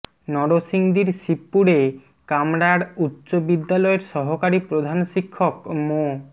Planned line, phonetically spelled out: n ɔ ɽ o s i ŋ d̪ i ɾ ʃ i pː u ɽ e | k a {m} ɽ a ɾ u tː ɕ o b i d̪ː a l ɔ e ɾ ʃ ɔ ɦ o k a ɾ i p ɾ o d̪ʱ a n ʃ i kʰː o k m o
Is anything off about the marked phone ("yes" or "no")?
no